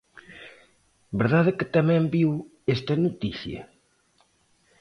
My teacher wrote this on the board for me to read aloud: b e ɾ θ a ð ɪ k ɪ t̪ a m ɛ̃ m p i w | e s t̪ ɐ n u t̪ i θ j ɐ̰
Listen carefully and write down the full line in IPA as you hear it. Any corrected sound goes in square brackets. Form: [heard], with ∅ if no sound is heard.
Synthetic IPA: b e ɾ [ð] a ð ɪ k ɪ t̪ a m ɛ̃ m [b] i w | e s t̪ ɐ n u t̪ i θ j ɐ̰